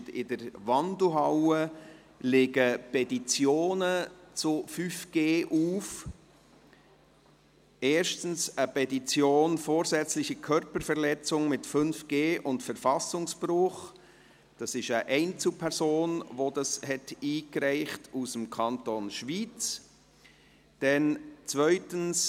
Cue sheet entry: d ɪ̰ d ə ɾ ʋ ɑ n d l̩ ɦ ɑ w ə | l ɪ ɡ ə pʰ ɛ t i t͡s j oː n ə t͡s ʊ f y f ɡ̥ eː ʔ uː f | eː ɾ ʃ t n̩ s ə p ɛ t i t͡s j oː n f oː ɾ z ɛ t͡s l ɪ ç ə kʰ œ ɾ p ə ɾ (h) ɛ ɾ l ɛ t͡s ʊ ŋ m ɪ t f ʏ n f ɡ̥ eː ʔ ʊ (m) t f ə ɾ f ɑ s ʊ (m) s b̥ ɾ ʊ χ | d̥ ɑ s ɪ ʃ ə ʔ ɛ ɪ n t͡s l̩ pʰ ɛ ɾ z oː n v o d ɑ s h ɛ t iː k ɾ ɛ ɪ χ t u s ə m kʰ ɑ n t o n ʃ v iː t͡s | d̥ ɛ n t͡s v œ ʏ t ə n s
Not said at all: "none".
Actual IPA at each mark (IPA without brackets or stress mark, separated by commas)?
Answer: f, n, ŋ